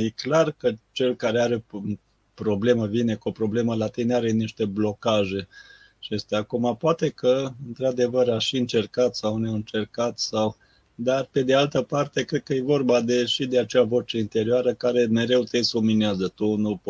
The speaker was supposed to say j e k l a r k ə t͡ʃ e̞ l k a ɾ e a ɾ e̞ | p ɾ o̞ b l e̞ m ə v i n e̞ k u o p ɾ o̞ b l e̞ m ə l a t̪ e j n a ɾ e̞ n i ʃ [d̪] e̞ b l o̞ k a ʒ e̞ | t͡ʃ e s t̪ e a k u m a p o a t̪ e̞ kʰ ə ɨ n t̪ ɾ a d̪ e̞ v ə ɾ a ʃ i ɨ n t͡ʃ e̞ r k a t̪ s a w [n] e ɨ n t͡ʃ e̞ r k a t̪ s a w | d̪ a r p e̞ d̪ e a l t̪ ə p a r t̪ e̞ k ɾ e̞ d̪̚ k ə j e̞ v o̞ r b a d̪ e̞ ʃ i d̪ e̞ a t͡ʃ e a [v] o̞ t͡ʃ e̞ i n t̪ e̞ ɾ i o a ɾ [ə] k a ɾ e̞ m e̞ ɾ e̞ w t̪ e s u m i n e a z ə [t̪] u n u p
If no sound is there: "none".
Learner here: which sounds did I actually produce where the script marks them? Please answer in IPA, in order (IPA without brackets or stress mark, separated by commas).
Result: t̪, n, v, ə, t̪